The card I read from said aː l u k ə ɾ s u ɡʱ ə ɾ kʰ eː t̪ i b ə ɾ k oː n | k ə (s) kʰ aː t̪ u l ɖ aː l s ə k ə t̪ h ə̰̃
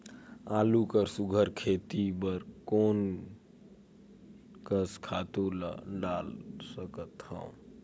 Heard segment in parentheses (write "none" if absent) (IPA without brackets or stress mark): s